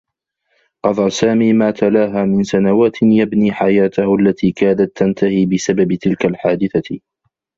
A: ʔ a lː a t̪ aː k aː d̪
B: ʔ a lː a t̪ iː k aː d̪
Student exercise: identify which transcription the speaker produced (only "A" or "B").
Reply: B